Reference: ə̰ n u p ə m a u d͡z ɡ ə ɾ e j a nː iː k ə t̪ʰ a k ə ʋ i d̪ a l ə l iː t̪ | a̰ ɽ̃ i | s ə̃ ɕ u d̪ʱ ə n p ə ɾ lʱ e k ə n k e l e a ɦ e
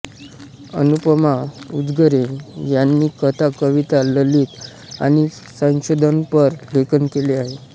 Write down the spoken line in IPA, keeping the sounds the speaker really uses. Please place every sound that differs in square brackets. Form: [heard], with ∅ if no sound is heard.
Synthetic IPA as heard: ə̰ n u p ə m a u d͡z ɡ ə ɾ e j a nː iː k ə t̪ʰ a k ə ʋ i [t̪] a l ə l iː t̪ | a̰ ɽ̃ i | s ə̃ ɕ [o] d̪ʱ ə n p ə ɾ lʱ e k ə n k e l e a ɦ e